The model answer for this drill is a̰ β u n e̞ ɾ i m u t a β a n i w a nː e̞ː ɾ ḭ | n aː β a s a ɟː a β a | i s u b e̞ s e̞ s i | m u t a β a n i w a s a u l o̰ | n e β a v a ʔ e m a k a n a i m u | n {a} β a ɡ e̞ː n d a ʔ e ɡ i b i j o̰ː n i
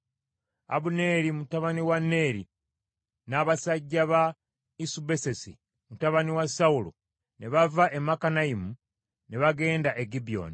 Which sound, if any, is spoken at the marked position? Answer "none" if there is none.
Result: e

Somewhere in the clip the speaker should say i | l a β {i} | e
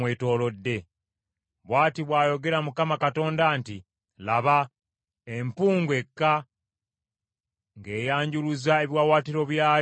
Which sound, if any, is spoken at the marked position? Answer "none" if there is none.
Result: a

